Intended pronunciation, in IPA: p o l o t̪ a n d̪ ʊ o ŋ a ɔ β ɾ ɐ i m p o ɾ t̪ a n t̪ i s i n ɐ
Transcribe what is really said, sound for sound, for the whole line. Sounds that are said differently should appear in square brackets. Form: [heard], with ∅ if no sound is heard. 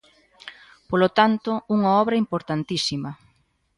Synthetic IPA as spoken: p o l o t̪ a n [t̪] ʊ [u] ŋ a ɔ β ɾ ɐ i m p o ɾ t̪ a n t̪ i s i [m] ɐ